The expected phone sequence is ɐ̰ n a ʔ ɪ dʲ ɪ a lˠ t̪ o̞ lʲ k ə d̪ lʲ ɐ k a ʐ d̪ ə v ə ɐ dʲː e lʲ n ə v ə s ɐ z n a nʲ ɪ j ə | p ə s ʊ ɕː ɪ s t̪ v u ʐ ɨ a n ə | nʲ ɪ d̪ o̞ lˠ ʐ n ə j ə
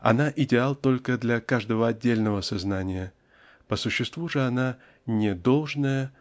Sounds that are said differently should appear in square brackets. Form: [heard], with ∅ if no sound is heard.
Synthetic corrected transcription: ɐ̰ n a ʔ ɪ dʲ ɪ a lˠ t̪ o̞ lʲ k ə d̪ lʲ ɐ k a ʐ d̪ ə v ə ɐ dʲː e lʲ n ə v ə s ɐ z n a nʲ ɪ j ə | p ə s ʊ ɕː ɪ s t̪ v u ʐ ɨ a n [a] | nʲ ɪ d̪ o̞ lˠ ʐ n ə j ə